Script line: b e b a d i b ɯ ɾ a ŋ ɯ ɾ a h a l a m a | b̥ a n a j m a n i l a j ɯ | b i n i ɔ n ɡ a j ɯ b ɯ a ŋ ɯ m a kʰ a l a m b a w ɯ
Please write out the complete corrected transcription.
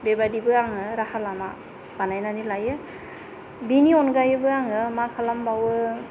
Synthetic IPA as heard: b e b a d i b ɯ a ŋ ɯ ɾ a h a l a m a | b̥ a n a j n a n i l a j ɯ | b i n i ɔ n ɡ a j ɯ b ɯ a ŋ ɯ m a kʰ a l a m b a w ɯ